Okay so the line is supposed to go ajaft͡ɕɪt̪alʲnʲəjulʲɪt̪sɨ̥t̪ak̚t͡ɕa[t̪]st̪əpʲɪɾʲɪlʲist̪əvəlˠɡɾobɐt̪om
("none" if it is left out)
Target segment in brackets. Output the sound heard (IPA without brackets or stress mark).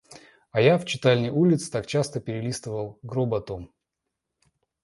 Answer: none